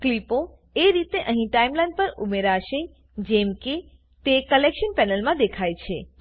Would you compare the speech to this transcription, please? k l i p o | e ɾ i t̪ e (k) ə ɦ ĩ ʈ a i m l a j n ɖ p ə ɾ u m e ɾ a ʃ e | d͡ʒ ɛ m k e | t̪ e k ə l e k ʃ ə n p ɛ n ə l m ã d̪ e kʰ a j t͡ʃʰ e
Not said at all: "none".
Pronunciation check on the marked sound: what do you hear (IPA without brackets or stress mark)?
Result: ʔ